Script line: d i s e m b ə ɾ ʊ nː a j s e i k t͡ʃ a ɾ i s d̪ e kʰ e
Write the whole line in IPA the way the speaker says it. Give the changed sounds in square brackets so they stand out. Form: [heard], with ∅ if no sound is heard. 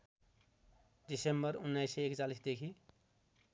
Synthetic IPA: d i s e m b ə ɾ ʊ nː a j s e [e] k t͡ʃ a [l] i s d̪ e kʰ [i]